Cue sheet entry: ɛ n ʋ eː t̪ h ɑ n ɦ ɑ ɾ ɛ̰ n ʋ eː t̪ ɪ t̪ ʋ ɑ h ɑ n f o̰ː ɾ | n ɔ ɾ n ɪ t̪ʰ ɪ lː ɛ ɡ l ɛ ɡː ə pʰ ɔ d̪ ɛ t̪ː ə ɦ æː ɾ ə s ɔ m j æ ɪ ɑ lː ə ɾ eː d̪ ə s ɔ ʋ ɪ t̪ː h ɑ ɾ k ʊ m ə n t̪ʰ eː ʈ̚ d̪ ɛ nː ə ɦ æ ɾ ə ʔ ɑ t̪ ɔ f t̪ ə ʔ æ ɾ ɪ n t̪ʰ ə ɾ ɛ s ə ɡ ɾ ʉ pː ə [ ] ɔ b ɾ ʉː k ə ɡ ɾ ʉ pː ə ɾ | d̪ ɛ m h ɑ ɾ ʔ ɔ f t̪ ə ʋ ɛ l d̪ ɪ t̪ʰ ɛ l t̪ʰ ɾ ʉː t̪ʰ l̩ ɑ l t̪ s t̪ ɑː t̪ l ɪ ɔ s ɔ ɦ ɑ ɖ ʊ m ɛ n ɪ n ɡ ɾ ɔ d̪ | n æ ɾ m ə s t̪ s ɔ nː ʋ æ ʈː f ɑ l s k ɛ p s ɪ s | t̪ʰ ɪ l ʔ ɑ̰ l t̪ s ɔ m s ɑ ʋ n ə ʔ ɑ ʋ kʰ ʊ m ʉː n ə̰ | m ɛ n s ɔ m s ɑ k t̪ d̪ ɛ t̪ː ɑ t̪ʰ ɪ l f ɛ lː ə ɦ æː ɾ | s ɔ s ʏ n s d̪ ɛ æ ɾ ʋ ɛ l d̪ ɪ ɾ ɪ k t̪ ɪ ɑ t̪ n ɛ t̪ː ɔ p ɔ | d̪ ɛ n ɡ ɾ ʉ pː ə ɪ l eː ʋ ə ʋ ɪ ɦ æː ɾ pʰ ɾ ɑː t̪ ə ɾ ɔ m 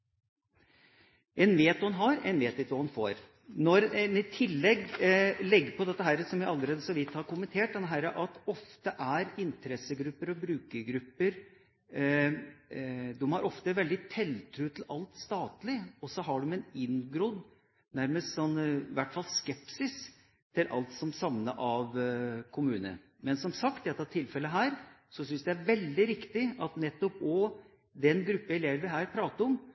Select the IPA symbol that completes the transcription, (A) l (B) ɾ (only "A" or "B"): B